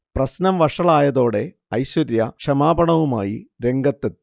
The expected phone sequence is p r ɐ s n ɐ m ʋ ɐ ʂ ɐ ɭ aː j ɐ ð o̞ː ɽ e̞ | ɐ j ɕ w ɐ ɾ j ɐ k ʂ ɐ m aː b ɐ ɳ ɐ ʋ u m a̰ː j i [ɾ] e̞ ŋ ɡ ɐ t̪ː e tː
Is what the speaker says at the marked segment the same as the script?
yes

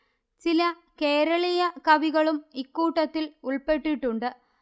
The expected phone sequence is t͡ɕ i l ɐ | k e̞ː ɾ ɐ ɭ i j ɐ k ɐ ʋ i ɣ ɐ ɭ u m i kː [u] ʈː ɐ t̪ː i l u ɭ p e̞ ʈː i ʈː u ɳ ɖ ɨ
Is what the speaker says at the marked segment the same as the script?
no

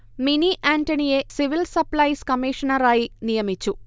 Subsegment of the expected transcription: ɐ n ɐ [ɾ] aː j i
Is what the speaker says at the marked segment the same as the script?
yes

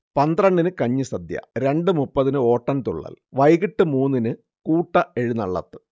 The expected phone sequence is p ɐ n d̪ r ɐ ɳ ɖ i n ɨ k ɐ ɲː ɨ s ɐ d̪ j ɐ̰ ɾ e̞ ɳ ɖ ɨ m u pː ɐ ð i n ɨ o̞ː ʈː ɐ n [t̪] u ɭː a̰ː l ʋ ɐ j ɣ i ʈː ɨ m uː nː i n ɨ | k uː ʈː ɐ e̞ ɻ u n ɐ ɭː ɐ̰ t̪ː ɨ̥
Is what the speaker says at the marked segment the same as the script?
yes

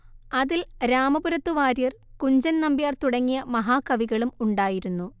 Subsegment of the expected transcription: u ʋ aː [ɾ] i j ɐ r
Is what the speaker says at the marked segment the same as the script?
yes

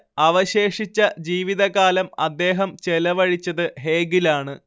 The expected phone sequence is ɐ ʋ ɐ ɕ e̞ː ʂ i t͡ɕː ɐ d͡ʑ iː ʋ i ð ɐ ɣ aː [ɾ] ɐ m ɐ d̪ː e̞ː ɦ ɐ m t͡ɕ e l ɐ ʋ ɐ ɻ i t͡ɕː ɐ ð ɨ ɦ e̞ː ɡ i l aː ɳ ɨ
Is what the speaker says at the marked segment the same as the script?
no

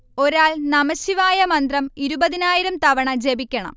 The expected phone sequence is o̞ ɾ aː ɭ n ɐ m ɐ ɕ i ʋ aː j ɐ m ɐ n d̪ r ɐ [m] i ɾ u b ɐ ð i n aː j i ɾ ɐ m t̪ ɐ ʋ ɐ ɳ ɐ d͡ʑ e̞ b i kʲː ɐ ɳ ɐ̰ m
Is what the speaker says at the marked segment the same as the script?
yes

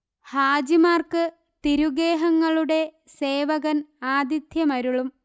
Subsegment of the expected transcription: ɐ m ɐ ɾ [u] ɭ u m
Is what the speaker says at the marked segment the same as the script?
yes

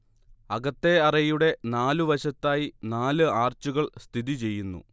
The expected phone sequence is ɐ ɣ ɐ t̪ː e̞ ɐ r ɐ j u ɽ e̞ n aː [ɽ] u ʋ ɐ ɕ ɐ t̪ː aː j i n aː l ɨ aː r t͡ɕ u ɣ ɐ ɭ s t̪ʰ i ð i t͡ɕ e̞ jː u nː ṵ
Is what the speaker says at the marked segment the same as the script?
no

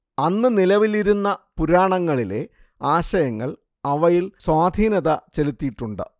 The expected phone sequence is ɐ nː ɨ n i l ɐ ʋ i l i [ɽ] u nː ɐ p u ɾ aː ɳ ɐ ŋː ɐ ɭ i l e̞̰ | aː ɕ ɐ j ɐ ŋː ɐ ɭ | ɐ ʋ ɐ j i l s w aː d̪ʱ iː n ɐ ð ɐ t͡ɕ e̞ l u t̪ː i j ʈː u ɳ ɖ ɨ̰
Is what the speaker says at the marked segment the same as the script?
no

